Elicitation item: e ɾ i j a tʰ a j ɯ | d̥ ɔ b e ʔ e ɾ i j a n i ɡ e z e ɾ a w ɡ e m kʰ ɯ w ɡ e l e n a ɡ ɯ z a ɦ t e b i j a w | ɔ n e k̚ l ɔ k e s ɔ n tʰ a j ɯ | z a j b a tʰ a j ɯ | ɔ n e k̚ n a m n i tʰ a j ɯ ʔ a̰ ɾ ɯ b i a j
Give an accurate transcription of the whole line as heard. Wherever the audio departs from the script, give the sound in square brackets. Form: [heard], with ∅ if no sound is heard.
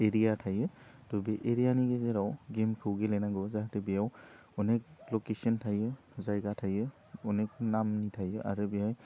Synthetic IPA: e ɾ i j a tʰ a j ɯ | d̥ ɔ b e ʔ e ɾ i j a n i ɡ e z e ɾ a w ɡ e m kʰ ɯ w ɡ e l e n a ɡ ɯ z a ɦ t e b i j a w | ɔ n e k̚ l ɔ k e s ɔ n tʰ a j ɯ | z a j [ɡ] a tʰ a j ɯ | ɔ n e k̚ n a m n i tʰ a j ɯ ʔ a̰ ɾ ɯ b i a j